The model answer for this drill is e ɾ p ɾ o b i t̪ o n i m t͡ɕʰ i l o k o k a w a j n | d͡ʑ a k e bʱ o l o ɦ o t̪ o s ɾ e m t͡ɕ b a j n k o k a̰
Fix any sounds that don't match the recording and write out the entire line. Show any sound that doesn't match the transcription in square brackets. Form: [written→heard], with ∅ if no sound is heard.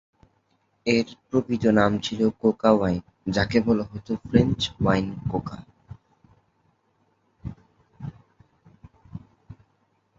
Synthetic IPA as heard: e ɾ p ɾ o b i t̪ o n [i→a] m t͡ɕʰ i l o k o k a w a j n | d͡ʑ a k e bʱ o l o ɦ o t̪ o [s→f] ɾ e [m→n] t͡ɕ [b→w] a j n k o k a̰

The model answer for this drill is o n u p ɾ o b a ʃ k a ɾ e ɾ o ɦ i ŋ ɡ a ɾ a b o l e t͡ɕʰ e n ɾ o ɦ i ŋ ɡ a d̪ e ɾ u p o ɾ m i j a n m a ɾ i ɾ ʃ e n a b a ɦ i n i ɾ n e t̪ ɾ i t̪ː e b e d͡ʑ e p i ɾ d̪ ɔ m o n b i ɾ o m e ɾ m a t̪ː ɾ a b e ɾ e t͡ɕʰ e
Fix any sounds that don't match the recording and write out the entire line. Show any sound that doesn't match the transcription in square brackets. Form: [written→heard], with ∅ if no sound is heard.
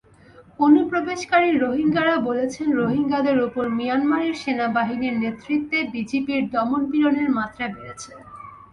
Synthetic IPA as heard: o n u p ɾ o b [a→e] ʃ k a ɾ [e→i] ɾ o ɦ i ŋ ɡ a ɾ a b o l e t͡ɕʰ e n ɾ o ɦ i ŋ ɡ a d̪ e ɾ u p o ɾ m i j a n m a ɾ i ɾ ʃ e n a b a ɦ i n i ɾ n e t̪ ɾ i t̪ː e b [e→i] d͡ʑ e p i ɾ d̪ ɔ m o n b i ɾ o [m→n] e ɾ m a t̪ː ɾ a b e ɾ e t͡ɕʰ e

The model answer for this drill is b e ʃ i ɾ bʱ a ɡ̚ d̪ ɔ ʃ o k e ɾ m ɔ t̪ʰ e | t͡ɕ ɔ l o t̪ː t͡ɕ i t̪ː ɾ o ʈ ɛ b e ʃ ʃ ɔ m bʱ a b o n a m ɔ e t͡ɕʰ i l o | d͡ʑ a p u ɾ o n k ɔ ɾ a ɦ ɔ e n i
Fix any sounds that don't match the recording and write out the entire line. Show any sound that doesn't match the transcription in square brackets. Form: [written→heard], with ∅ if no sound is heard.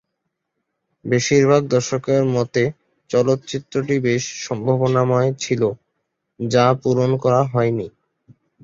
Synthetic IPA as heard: b e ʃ i ɾ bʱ a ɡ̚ d̪ ɔ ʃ o k e ɾ m ɔ [t̪ʰ→t̪] e | t͡ɕ ɔ l o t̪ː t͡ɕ i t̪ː ɾ o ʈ [ɛ→i] b e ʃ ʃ ɔ m bʱ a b o n a m ɔ e t͡ɕʰ i l o | d͡ʑ a p u ɾ o n k ɔ ɾ a ɦ ɔ e n i

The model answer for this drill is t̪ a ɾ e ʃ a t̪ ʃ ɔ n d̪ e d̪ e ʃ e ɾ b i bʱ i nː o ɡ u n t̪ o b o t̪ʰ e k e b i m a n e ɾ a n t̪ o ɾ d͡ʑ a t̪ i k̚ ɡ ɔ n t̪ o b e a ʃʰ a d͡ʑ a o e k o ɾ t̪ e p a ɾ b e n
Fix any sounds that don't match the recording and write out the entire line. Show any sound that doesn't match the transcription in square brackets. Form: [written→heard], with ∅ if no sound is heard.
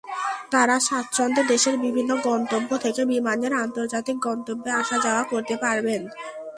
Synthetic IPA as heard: t̪ a ɾ [e→a] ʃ a t̪ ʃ ɔ n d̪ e d̪ e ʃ e ɾ b i bʱ i nː o ɡ [u→ɔ] n t̪ o [b→bː] o t̪ʰ e k e b i m a n e ɾ a n t̪ o ɾ d͡ʑ a t̪ i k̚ ɡ ɔ n t̪ o [b→bː] e a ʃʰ a d͡ʑ a o [e→a] k o ɾ t̪ e p a ɾ b e n

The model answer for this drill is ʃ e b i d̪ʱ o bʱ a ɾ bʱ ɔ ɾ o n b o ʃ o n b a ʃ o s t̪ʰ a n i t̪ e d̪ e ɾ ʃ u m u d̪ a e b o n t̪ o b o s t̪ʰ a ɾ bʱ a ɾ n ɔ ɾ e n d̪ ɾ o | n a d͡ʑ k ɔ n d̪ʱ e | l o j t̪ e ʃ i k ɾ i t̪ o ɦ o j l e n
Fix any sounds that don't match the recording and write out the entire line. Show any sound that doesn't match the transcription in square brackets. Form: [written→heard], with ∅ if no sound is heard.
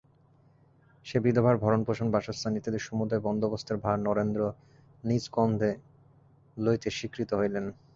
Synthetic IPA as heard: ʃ e b i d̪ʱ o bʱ a ɾ bʱ ɔ ɾ o n [b→p] o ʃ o n b a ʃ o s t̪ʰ a n i t̪ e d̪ e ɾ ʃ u m u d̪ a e b [o→ɔ] n [t̪→d̪] o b o s t̪ʰ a ɾ bʱ a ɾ n ɔ ɾ e n d̪ ɾ o | n [a→i] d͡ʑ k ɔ n d̪ʱ e | l o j t̪ e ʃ i k ɾ i t̪ o ɦ o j l e n

